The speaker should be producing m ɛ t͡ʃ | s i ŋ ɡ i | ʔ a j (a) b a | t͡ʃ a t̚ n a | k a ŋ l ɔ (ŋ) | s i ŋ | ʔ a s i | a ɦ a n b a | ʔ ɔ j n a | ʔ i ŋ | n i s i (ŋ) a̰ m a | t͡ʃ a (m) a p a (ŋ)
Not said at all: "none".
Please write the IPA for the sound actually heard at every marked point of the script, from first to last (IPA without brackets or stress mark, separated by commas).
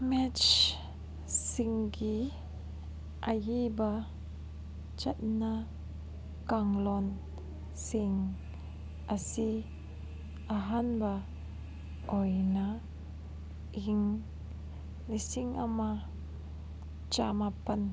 i, n, ŋ, m, n